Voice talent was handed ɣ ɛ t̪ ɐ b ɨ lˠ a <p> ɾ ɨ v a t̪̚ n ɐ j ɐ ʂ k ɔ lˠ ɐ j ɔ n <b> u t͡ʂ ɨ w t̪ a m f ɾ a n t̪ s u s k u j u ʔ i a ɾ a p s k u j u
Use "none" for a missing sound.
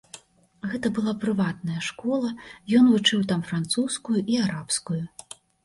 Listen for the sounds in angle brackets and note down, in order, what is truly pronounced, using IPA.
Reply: p, v

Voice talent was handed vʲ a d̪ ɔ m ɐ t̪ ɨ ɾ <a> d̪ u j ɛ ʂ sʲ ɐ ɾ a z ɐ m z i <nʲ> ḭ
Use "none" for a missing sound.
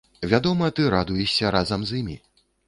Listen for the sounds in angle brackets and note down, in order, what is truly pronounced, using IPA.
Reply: a, mʲ

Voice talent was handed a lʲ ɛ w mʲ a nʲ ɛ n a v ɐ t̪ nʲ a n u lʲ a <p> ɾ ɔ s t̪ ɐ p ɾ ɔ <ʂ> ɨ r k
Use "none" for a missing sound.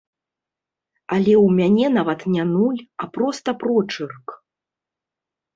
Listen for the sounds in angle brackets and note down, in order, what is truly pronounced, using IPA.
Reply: p, t͡ʂ

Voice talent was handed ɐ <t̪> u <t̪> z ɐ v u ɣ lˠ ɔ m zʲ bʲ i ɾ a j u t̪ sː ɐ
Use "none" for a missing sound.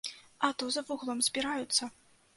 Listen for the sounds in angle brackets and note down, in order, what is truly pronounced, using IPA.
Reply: t̪, none

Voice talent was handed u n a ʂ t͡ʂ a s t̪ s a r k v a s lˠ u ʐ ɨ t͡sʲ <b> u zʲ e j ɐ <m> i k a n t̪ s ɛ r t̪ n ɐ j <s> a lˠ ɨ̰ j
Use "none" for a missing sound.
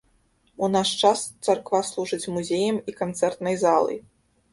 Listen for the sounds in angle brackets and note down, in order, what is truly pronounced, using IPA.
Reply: m, m, z

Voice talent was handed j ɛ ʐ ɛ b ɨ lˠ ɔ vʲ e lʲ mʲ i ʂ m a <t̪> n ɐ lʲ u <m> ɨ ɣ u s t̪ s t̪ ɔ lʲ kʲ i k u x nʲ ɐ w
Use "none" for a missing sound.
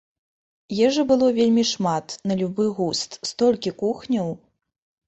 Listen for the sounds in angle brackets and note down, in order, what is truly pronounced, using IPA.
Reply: t̪, b

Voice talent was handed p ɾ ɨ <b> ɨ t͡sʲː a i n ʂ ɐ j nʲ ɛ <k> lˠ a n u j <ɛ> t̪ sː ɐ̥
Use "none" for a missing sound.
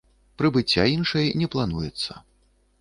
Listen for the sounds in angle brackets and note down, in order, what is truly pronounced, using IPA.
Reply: b, p, ɛ

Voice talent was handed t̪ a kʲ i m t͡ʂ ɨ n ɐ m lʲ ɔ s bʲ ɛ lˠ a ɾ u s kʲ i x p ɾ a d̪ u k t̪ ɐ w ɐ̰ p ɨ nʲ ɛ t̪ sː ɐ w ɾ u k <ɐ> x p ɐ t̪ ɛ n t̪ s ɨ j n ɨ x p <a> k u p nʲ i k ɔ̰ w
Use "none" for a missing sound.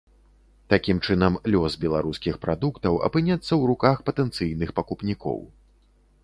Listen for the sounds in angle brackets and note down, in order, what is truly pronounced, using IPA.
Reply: a, ɐ

